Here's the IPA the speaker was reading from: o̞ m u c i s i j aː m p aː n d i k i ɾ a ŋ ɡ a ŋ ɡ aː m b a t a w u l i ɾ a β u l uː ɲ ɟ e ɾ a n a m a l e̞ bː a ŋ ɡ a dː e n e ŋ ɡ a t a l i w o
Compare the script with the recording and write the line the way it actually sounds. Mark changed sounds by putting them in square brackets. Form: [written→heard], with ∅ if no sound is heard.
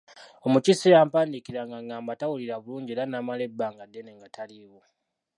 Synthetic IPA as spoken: o̞ m u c i s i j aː m p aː n d i k i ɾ a ŋ ɡ a ŋ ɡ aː m b a t a w u l i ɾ a β u l uː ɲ ɟ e ɾ a n a m a l e̞ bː a ŋ ɡ a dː e n e ŋ ɡ a t a l i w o